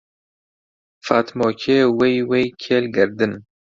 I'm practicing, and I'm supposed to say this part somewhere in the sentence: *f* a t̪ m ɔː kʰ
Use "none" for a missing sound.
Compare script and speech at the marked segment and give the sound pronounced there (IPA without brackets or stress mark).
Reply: f